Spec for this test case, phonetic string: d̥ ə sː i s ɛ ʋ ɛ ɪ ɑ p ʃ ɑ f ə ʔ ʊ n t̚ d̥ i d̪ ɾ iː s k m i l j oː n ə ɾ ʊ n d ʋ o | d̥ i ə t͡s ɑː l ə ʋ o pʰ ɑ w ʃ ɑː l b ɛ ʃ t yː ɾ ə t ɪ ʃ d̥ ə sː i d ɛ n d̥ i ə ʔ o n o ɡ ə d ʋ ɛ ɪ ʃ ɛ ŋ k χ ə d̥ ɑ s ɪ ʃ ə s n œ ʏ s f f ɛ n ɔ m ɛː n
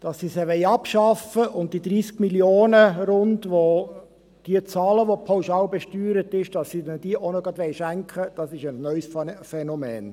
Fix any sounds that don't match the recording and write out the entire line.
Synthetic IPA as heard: d̥ ɑ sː i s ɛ ʋ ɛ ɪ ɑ p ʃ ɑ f ə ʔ ʊ n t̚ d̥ i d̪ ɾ iː s k m i l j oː n ə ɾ ʊ n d ʋ o | d̥ i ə t͡s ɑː l ə ʋ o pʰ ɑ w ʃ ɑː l b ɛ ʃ t yː ɾ ə t ɪ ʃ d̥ ɑ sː i d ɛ n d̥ i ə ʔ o n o ɡ ɑ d ʋ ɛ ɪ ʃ æ ŋ k χ ə d̥ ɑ s ɪ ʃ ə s n œ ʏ s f f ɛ n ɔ m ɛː n